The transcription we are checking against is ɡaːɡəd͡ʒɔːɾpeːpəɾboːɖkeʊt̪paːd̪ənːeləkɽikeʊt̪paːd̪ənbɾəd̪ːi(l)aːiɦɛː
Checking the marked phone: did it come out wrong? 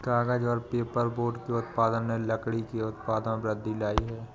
no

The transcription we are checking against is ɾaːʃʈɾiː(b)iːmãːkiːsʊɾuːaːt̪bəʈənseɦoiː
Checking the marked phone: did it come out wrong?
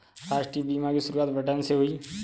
no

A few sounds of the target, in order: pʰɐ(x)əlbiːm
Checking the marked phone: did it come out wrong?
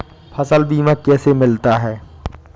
yes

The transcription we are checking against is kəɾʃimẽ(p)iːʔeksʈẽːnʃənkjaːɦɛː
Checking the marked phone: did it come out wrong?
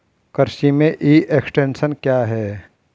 yes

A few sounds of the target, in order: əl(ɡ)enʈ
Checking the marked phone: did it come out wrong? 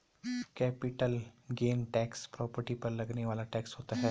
no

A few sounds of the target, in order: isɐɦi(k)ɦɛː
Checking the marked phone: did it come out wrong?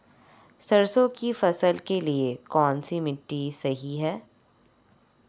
yes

